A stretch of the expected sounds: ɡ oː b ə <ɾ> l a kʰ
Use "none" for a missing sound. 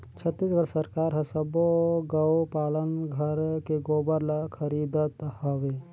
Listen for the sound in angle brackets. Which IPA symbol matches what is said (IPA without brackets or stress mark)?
ɾ